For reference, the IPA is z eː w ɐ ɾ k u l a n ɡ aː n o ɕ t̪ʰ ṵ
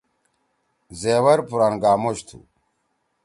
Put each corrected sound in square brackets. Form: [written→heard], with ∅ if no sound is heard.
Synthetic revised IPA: z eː w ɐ ɾ [k→p] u [l→ɾ] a n ɡ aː [n→m] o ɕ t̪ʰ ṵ